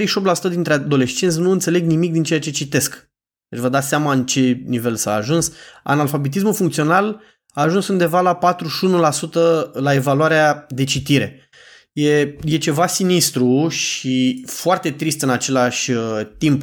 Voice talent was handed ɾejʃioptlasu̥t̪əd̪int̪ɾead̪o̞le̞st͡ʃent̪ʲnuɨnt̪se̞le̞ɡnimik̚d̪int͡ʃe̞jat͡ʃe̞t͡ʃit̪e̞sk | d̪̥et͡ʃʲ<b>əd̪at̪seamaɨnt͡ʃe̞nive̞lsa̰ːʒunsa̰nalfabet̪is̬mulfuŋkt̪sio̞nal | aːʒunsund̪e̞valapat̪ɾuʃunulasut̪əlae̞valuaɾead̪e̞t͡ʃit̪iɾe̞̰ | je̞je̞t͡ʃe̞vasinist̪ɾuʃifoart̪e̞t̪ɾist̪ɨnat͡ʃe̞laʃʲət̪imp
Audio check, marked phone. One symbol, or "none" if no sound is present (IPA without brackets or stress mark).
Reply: v